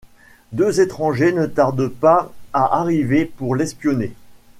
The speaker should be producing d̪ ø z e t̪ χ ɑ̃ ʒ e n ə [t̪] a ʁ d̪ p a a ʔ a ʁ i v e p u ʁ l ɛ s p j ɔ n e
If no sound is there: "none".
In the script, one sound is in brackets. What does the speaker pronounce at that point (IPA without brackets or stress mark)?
t̪